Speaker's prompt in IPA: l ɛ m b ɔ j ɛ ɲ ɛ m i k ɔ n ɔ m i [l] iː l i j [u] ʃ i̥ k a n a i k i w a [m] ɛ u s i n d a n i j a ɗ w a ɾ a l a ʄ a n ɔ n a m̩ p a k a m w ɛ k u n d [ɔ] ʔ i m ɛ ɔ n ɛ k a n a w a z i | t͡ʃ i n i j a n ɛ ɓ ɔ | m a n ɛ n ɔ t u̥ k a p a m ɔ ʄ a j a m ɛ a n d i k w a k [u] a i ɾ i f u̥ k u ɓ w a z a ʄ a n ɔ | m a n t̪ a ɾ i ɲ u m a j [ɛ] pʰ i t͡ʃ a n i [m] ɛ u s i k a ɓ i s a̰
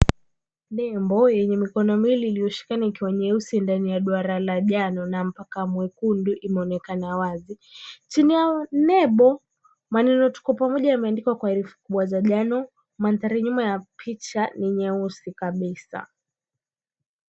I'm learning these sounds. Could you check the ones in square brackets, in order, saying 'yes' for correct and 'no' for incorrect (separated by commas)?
yes, no, no, no, no, no, no